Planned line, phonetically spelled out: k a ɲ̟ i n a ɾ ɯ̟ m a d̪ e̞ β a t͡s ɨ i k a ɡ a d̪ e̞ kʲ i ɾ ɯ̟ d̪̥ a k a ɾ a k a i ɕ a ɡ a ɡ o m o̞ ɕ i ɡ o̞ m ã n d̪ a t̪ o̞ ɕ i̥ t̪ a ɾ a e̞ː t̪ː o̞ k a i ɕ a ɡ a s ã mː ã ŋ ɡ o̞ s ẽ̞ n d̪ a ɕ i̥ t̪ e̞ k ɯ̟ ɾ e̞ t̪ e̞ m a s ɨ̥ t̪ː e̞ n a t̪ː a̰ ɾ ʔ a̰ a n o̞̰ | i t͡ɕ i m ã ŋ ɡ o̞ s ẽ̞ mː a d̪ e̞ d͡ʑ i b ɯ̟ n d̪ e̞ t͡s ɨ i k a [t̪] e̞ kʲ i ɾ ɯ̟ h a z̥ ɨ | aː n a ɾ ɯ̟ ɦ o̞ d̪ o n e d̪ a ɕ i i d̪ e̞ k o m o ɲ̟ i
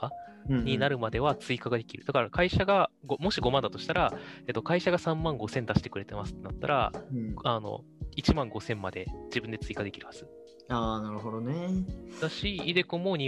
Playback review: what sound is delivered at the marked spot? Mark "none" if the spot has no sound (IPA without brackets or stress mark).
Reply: d̪